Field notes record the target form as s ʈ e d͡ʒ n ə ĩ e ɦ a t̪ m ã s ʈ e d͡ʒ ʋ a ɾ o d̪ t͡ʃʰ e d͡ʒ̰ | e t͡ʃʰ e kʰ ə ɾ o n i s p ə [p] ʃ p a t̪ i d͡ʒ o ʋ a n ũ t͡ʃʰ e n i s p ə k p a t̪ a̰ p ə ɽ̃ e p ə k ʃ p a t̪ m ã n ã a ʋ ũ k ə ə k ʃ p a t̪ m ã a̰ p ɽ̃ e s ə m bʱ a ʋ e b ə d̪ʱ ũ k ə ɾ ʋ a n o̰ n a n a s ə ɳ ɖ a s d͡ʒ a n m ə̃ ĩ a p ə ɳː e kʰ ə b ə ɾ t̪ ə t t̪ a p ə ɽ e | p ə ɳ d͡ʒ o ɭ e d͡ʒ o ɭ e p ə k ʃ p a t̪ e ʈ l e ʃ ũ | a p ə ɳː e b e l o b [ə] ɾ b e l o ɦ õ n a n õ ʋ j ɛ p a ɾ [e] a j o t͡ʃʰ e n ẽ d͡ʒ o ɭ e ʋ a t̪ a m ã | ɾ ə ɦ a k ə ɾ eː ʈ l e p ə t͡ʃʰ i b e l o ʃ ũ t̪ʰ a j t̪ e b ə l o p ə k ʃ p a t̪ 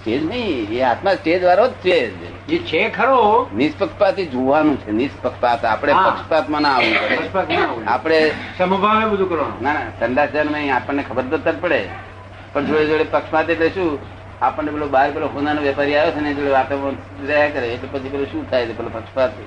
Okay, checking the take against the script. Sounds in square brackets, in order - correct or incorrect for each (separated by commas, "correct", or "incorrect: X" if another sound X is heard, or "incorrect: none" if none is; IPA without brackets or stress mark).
incorrect: k, incorrect: a, incorrect: i